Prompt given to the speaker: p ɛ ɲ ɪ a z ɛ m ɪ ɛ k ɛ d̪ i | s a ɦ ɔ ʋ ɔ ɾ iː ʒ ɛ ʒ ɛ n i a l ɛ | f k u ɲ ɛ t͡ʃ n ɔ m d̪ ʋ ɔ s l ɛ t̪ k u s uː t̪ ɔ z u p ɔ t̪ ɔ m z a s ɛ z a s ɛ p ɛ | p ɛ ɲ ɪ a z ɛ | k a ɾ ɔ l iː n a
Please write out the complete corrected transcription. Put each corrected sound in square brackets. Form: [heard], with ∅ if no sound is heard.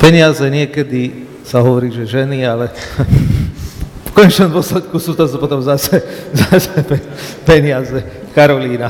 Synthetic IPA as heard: p ɛ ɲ ɪ a z ɛ [ɲ] ɪ ɛ k ɛ d̪ i | s a ɦ ɔ ʋ ɔ ɾ iː ʒ ɛ ʒ ɛ n i a l ɛ | f k [ɔ] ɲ ɛ t͡ʃ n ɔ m d̪ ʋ ɔ s l ɛ t̪ k u s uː t̪ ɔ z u p ɔ t̪ ɔ m z a s ɛ z a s ɛ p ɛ | p ɛ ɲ ɪ a z ɛ | k a ɾ ɔ l iː n a